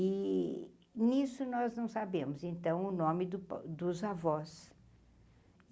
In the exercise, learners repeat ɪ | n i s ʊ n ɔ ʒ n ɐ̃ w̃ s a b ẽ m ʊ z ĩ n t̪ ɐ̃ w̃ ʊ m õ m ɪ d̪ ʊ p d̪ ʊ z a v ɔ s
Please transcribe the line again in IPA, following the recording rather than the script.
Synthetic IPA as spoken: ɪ | n i s ʊ n ɔ z n ɐ̃ w̃ s a b ẽ m ʊ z ẽ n t̪ ɐ̃ w̃ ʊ n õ m ɪ d̪ ʊ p d̪ ʊ z a v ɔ s